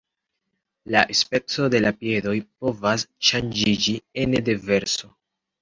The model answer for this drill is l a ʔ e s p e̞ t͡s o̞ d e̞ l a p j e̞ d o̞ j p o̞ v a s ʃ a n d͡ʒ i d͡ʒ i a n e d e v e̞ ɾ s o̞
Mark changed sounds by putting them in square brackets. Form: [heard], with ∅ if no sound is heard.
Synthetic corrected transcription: l a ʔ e s p e̞ t͡s o̞ d e̞ l a p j e̞ d o̞ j p o̞ v a s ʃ a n d͡ʒ i d͡ʒ i [e] n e d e v e̞ ɾ s o̞